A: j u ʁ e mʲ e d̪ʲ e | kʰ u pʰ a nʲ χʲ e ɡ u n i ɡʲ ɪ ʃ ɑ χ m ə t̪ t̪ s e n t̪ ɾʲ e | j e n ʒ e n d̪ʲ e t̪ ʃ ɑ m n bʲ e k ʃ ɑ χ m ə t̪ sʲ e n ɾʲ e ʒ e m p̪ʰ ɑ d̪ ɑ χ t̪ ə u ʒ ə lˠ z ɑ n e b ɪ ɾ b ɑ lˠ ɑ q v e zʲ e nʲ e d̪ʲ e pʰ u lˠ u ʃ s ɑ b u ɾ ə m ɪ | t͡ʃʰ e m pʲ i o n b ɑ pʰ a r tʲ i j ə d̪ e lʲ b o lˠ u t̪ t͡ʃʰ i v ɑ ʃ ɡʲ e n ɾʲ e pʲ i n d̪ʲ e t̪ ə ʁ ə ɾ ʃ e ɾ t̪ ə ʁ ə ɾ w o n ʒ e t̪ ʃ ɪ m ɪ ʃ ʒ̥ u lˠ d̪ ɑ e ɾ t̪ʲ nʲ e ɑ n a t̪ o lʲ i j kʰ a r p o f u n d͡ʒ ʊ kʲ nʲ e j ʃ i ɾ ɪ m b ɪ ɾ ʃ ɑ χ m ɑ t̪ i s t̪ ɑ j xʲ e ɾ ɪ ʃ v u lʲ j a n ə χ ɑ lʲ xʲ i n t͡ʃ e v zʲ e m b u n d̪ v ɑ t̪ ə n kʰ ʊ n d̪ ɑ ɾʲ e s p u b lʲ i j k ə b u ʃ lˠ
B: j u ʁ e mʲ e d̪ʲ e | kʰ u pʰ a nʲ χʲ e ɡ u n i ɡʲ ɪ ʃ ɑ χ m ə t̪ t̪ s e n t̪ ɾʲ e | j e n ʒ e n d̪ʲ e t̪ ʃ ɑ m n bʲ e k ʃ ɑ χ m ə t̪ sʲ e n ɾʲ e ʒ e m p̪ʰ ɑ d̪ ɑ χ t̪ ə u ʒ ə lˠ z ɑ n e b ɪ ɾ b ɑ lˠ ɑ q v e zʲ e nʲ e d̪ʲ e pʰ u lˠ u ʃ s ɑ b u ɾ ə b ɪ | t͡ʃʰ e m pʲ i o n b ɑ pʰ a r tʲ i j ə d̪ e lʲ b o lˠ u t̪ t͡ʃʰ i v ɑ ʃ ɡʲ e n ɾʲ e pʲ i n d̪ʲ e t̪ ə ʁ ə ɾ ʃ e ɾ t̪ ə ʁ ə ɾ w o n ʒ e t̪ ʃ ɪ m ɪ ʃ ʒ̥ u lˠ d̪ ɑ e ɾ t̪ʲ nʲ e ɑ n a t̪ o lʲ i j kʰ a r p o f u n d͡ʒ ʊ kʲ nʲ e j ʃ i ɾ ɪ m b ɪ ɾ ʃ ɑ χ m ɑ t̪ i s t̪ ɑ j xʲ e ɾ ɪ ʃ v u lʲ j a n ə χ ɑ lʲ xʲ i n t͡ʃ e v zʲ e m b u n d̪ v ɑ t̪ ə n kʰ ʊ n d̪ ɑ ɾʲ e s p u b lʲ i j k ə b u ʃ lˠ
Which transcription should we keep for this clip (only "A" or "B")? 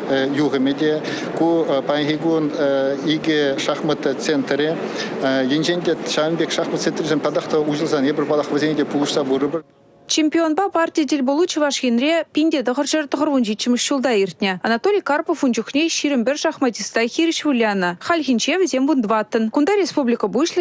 B